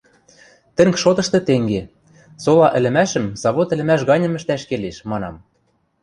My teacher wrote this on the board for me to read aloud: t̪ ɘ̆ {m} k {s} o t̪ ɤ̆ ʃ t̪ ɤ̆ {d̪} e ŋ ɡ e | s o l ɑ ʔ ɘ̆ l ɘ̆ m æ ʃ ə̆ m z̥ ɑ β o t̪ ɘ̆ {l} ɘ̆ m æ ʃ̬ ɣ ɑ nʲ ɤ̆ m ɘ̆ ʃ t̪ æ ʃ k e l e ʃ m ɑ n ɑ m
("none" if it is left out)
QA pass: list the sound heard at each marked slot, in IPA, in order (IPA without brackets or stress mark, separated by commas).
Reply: ŋ, ʃ, t̪, l